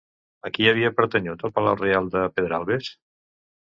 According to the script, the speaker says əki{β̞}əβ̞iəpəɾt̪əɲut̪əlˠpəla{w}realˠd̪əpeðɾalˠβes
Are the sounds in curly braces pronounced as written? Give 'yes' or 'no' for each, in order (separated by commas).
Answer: no, yes